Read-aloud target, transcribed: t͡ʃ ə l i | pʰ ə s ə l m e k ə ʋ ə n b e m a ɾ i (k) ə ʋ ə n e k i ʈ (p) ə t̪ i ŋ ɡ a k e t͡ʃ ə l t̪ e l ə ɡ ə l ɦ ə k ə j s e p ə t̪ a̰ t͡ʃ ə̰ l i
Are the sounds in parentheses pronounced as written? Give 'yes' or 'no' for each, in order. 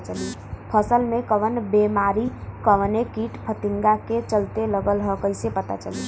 yes, no

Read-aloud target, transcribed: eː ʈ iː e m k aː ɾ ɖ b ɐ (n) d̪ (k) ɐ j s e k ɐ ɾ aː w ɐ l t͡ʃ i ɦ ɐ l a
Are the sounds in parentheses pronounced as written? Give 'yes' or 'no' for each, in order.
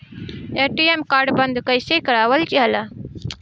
yes, yes

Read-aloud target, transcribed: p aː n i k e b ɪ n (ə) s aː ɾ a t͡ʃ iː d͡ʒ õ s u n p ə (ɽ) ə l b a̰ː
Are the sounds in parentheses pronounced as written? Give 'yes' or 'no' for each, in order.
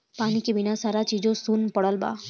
no, yes

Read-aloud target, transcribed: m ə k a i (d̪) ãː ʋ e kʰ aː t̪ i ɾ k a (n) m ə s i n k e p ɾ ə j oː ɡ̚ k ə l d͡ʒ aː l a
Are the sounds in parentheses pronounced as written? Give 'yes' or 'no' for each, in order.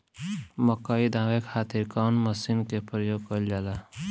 yes, yes

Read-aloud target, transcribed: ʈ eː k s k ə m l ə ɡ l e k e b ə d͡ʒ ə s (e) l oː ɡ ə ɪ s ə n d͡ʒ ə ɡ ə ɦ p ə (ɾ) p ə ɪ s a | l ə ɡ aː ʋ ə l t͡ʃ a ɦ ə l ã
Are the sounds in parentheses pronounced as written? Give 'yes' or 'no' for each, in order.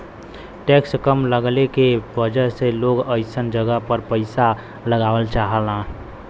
yes, yes

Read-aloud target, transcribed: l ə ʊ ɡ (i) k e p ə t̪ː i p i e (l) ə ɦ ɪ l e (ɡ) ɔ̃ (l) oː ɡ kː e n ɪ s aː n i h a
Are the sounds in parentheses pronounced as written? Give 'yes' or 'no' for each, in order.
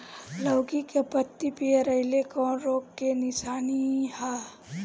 yes, no, no, no

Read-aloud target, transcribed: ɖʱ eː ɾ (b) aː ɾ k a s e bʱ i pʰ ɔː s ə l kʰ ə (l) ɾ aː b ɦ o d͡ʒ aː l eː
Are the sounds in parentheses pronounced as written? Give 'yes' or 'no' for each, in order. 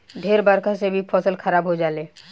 yes, no

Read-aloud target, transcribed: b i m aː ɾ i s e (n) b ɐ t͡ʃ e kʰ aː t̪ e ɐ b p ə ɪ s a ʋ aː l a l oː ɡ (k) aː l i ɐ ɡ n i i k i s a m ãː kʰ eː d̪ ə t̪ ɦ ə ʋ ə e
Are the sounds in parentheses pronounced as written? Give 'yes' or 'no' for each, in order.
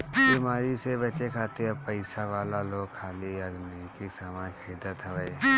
no, no

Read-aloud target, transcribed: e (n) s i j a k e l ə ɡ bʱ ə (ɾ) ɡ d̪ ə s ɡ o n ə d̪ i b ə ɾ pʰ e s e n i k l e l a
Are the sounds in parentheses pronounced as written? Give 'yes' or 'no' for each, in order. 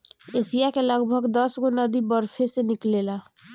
no, no

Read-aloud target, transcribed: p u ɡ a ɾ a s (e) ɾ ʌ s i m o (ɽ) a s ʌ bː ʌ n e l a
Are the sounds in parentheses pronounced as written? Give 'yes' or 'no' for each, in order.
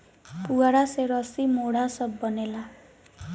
yes, yes

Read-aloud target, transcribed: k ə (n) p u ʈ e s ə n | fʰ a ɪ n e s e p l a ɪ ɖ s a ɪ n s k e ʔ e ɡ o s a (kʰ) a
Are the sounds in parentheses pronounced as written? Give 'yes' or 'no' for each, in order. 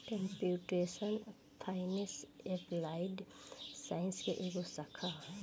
no, yes

